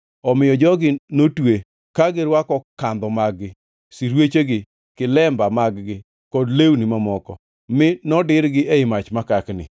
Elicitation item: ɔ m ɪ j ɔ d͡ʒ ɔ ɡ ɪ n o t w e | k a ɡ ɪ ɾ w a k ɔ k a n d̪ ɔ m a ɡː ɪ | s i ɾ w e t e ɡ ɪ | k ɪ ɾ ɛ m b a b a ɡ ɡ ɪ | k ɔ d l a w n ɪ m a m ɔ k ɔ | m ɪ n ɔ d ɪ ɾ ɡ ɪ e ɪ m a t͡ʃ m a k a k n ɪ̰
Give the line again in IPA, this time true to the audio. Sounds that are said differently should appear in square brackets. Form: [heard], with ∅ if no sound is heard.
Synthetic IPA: ɔ m ɪ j ɔ d͡ʒ ɔ ɡ ɪ n o t w e | k a ɡ ɪ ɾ w a k ɔ k a n d̪ ɔ m a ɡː ɪ | s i ɾ w e [t͡ʃ] e ɡ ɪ | k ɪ [l] ɛ m b a [m] a ɡ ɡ ɪ | k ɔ d l [e] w n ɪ m a m ɔ k ɔ | m ɪ n ɔ d ɪ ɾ ɡ ɪ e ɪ m a t͡ʃ m a k a k n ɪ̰